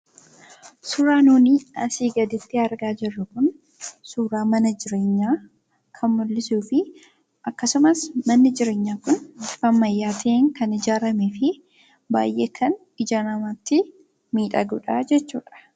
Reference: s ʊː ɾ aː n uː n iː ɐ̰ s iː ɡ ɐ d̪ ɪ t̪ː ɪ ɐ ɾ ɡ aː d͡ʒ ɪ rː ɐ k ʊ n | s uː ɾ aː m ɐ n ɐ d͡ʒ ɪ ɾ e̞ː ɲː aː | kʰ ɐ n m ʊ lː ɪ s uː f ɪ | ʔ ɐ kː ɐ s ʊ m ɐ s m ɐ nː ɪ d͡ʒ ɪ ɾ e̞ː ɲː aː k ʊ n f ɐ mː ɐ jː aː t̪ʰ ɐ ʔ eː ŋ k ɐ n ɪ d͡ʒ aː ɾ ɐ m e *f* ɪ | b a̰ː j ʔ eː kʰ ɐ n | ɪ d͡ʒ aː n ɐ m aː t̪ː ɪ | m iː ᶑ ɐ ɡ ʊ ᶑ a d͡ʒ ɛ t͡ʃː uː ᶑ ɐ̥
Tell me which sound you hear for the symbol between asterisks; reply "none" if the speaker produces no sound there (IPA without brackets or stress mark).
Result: f